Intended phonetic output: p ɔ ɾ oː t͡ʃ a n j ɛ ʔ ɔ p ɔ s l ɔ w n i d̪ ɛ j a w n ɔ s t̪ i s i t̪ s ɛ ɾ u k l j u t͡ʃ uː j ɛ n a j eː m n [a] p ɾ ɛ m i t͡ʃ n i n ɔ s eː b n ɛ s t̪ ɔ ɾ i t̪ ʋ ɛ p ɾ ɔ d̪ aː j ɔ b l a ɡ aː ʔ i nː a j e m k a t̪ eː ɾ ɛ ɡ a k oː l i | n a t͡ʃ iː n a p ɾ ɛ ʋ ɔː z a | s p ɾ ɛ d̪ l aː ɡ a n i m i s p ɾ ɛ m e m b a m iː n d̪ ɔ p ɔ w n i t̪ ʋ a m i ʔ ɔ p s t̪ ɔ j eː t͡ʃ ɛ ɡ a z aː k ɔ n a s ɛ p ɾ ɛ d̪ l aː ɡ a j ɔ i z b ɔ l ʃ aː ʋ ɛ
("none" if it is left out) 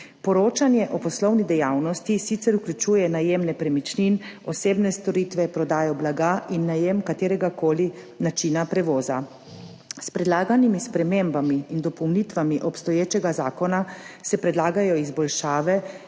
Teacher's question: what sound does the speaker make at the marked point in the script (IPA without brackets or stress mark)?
ɛ